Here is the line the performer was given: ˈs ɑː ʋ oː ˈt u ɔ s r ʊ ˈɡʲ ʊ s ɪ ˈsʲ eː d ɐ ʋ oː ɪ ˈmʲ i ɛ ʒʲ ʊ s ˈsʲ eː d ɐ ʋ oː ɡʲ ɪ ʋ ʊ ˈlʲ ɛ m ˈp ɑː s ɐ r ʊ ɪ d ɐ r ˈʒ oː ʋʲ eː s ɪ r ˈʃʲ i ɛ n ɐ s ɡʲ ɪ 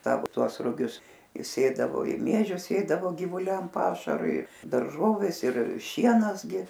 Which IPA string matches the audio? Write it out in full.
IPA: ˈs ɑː ʋ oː ˈt u ɔ s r ʊ ˈɡʲ ʊ s ɪ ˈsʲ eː d ɐ ʋ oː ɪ ˈmʲ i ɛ ʒʲ ʊ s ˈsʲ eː d ɐ ʋ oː ɡʲ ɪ ʋ ʊ ˈlʲ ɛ m ˈp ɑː ʃ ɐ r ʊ ɪ d ɐ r ˈʒ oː ʋʲ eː s ɪ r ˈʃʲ i ɛ n ɐ s ɡʲ ɪ